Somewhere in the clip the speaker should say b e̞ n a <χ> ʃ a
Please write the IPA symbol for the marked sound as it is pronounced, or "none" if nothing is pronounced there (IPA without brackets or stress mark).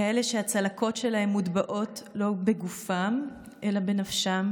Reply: f